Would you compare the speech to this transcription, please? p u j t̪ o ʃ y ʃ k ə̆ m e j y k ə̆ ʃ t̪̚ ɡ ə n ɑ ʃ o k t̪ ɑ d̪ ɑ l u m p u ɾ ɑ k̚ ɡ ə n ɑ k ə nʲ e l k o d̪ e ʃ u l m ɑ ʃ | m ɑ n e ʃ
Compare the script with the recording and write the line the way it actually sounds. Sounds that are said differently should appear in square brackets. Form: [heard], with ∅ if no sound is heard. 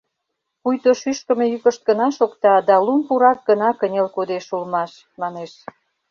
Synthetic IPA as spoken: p u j t̪ o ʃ y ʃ k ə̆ m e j y k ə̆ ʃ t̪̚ ɡ ə n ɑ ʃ o k t̪ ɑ d̪ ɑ l u m p u ɾ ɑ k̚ ɡ ə n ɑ k ə nʲ e l k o d̪ e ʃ u l m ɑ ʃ | m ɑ n e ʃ